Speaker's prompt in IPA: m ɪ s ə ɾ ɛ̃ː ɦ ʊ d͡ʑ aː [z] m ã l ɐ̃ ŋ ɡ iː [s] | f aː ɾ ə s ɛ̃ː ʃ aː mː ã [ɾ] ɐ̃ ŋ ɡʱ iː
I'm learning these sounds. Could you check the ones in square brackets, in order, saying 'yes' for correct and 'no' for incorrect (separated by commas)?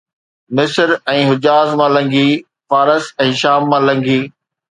yes, no, no